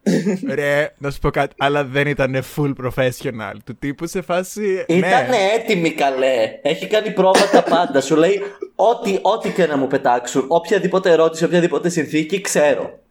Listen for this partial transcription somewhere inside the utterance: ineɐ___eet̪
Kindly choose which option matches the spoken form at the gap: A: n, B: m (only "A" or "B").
A